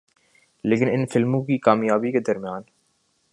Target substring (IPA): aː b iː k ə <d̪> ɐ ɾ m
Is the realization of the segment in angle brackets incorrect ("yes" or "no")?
no